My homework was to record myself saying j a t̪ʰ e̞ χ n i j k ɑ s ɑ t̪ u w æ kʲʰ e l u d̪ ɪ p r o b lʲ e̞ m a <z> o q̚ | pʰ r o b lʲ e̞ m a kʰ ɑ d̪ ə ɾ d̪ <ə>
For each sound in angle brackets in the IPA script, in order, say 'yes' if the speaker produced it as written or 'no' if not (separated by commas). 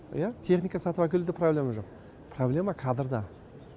no, no